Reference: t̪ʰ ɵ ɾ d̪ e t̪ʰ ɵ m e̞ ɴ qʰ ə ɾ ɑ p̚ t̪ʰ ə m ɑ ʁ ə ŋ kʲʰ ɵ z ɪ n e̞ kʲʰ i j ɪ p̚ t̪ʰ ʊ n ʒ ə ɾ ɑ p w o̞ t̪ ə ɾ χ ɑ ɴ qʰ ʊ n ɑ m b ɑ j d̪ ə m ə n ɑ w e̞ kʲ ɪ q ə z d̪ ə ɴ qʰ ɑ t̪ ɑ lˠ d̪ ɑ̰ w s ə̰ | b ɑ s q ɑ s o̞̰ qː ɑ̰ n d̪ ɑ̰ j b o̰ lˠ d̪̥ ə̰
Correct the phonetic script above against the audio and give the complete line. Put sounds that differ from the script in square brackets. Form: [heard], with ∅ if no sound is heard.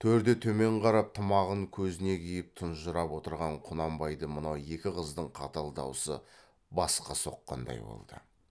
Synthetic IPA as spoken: t̪ʰ ɵ ɾ d̪ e t̪ʰ ɵ m e̞ ɴ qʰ [ɑ] ɾ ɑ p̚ t̪ʰ ə m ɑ ʁ ə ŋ kʲʰ ɵ z ɪ n e̞ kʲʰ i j ɪ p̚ t̪ʰ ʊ n ʒ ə ɾ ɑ p w o̞ t̪ ə ɾ [ʁ] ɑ ɴ qʰ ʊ n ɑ m b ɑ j d̪ ə m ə n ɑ w e̞ kʲ ɪ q ə z d̪ ə ɴ qʰ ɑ t̪ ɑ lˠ d̪ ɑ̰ w s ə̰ | b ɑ s q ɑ s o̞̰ qː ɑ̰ n d̪ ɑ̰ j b o̰ lˠ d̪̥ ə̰